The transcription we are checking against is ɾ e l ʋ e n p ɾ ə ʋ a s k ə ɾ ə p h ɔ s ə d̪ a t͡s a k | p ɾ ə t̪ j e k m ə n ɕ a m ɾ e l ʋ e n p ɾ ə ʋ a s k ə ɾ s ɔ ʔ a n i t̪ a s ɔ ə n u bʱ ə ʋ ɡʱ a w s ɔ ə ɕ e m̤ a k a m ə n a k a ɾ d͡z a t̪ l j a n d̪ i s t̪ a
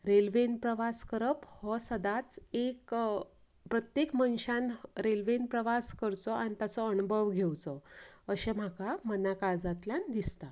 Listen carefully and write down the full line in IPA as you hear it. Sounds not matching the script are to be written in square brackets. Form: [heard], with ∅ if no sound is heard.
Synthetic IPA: ɾ e l ʋ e n p ɾ ə ʋ a s k ə ɾ ə p h ɔ s ə d̪ a t͡s [e] k | p ɾ ə t̪ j e k m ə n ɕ a [n] ɾ e l ʋ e n p ɾ ə ʋ a s k ə ɾ [t͡s] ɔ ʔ a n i t̪ a [t͡s] ɔ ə n u bʱ ə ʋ ɡʱ [e] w [t͡s] ɔ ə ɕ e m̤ a k a m ə n a k a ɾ d͡z a t̪ l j a n d̪ i s t̪ a

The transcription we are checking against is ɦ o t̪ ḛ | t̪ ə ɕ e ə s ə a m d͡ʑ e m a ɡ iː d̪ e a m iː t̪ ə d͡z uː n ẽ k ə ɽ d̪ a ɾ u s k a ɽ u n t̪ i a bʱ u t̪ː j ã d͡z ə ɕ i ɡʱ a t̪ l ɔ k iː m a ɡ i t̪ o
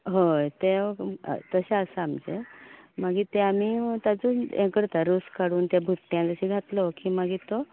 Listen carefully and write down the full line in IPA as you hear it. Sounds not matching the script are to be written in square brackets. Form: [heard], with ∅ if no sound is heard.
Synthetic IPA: ɦ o t̪ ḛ | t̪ ə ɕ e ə s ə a m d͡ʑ e m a ɡ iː [t̪] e a m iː t̪ [a] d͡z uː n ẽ k ə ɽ [t̪] a ɾ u s k a ɽ [uː] n t̪ [j] a bʱ u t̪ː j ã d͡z ə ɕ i ɡʱ a t̪ l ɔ k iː m a ɡ i t̪ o

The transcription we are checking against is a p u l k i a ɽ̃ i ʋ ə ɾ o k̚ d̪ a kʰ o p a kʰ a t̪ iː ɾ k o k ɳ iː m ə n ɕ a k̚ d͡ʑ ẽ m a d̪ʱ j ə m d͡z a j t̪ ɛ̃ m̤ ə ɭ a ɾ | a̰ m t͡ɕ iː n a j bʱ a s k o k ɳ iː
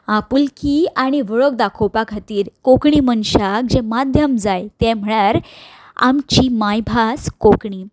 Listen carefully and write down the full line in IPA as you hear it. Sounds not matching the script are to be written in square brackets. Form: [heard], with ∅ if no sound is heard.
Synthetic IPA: a p u l k i a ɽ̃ i ʋ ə [ɭ] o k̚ d̪ a kʰ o p a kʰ a t̪ iː ɾ k o k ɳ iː m ə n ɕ a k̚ d͡ʑ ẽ m a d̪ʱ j ə m d͡z a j t̪ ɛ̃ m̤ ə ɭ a ɾ | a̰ m t͡ɕ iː [m] a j bʱ a s k o k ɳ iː

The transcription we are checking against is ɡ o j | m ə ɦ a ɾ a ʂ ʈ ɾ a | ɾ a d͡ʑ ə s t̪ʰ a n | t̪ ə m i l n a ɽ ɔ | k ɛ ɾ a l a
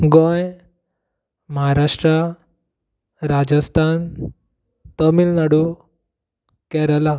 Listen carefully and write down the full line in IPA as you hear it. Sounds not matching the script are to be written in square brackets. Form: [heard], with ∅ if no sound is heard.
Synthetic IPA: ɡ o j | m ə ɦ a ɾ a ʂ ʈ ɾ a | ɾ a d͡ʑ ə s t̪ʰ a n | t̪ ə m i l n a ɽ [u] | k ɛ ɾ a l a

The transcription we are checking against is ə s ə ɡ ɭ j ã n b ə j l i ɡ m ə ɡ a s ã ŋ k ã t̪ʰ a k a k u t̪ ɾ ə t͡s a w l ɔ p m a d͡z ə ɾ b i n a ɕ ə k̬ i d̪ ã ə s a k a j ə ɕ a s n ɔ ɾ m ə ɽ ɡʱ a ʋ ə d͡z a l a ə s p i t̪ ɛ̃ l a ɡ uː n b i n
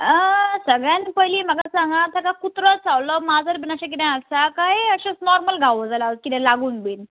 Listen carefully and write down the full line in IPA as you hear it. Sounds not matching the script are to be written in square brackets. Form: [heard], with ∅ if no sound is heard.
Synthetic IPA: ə s ə ɡ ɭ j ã n [p] ə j l i [∅] m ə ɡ a s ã ŋ [ɡ] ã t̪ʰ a k a k u t̪ ɾ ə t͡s a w l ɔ [∅] m a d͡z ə ɾ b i n a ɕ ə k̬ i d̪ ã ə s a k a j ə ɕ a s n ɔ ɾ m ə [l] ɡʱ a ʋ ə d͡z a l a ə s [k] i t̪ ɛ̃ l a ɡ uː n b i n

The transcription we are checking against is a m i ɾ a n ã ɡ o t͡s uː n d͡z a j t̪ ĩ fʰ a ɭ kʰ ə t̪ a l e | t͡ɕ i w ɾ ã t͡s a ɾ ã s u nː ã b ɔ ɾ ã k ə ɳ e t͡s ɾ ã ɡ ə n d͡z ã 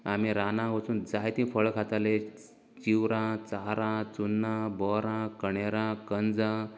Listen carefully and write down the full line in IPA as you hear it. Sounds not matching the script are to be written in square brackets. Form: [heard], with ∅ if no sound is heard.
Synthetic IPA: a m i ɾ a n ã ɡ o t͡s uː n d͡z a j t̪ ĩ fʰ [ə] ɭ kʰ [a] t̪ a l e | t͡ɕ i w ɾ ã t͡s a ɾ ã [t͡s] u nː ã b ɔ ɾ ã k ə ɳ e [∅] ɾ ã [k] ə n d͡z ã

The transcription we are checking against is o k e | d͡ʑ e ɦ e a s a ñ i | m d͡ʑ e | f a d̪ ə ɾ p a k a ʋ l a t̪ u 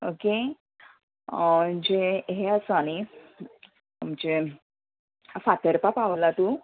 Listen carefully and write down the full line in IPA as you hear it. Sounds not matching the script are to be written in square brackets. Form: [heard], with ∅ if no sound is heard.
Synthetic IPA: o k e | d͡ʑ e ɦ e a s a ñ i | m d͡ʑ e | f a [t̪] ə ɾ p a [p] a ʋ l a t̪ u

